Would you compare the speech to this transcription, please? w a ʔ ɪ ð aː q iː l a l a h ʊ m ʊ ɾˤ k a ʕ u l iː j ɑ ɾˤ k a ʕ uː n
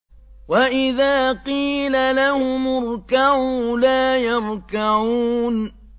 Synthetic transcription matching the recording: w a ʔ ɪ ð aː q iː l a l a h ʊ m ʊ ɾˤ k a ʕ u l aː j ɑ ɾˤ k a ʕ uː n